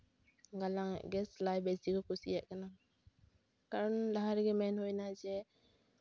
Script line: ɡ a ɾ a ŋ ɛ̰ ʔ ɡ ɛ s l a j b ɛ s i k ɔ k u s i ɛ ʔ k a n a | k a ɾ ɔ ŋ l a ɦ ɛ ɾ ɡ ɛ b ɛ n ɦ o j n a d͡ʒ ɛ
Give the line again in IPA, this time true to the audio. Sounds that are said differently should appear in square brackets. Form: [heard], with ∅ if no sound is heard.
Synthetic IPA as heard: ɡ a [l] a ŋ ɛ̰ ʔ ɡ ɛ s l a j b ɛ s i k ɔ k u s i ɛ ʔ k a n a | k a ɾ ɔ [n] l a ɦ [a] ɾ ɡ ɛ [m] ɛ n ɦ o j n a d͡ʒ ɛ